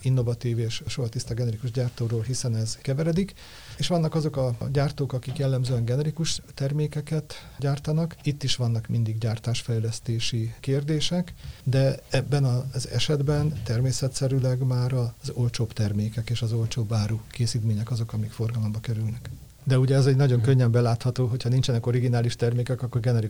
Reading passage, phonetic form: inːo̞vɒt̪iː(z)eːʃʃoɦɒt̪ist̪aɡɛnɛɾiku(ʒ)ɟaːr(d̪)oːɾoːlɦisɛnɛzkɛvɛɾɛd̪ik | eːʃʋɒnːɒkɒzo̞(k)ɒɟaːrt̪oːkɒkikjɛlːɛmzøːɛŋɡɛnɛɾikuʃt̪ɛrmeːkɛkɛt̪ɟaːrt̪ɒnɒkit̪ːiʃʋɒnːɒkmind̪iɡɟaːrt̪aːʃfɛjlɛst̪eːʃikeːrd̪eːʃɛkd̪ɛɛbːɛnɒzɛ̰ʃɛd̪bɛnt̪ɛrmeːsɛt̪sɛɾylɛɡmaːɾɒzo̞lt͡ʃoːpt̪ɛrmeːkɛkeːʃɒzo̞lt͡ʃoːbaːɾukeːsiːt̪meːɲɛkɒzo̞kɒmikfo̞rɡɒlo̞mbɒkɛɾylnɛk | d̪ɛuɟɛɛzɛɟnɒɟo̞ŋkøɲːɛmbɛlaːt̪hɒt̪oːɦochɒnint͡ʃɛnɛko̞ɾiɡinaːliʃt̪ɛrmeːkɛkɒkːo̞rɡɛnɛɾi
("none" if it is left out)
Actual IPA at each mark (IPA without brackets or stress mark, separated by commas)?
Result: v, ʒ, t̪, k